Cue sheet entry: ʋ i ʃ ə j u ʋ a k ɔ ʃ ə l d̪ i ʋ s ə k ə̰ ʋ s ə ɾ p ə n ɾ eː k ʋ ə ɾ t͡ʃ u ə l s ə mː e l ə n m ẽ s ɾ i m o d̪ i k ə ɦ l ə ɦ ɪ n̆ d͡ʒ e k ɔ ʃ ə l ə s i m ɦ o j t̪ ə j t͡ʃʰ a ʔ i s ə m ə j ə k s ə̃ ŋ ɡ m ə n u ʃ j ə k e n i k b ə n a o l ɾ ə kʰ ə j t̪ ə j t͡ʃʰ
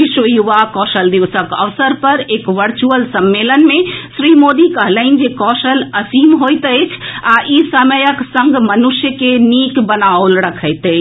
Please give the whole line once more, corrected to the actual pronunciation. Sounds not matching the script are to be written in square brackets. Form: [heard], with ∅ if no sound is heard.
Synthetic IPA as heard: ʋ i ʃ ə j u ʋ a k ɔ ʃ ə l d̪ i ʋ s ə k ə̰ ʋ s ə ɾ p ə [∅] ɾ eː k ʋ ə ɾ t͡ʃ u ə l s ə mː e l ə n m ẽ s ɾ i m o d̪ i k ə ɦ l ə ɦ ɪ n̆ d͡ʒ e k ɔ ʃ ə l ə s i m ɦ o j t̪ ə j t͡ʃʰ a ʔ i s ə m ə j ə k s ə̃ ŋ ɡ m ə n u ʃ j ə k e n i k b ə n a o l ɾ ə kʰ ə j t̪ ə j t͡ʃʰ